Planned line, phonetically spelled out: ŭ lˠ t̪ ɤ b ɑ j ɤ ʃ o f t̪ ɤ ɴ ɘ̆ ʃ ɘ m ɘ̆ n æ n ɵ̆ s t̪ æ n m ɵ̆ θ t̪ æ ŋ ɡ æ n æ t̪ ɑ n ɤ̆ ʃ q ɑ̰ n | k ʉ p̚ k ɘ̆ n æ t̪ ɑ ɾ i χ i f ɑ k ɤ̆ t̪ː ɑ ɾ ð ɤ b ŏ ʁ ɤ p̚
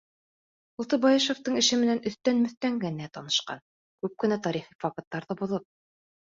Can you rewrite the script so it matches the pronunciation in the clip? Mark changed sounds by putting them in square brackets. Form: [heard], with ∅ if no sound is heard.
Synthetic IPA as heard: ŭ lˠ t̪ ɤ b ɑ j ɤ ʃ o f t̪ ɤ ɴ ɘ̆ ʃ ɘ m ɘ̆ n æ n ɵ̆ [θ] t̪ æ n m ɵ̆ θ t̪ æ ŋ ɡ æ n æ t̪ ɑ n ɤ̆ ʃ q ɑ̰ n | k ʉ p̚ k ɘ̆ n æ t̪ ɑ ɾ i χ i f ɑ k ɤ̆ t̪ː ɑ ɾ ð ɤ b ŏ [ð] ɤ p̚